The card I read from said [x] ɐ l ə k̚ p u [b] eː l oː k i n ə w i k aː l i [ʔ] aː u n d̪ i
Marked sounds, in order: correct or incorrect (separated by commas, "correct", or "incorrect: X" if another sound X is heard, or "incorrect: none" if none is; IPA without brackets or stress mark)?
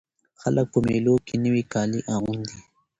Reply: correct, incorrect: m, correct